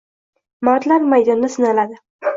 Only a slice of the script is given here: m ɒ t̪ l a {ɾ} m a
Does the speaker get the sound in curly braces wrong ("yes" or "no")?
no